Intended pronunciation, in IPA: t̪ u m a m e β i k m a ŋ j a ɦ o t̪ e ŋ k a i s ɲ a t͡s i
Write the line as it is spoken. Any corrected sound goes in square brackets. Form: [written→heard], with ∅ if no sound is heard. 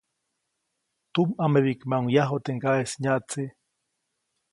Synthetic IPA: t̪ u m a m e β i k m a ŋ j a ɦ o t̪ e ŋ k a [i→e] s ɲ a t͡s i